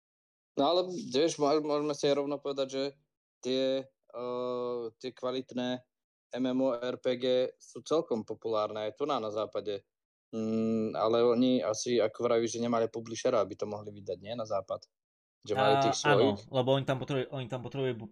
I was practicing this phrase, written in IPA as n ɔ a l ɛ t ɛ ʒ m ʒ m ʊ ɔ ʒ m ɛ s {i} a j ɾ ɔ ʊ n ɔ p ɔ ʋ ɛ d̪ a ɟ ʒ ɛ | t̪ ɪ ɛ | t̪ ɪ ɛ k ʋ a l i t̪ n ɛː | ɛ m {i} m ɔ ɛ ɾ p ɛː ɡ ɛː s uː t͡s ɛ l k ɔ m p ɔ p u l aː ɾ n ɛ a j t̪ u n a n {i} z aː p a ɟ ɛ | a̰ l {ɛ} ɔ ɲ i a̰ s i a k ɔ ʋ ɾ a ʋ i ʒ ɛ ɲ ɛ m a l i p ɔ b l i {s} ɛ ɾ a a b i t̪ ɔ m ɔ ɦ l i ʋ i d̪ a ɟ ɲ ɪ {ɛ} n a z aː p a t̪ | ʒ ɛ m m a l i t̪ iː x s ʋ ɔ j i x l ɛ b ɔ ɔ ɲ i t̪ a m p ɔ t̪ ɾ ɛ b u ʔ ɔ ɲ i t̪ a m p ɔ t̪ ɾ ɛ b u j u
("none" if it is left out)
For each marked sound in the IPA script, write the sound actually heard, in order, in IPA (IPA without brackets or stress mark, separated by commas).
i, ɛ, a, ɛ, ʃ, ɛ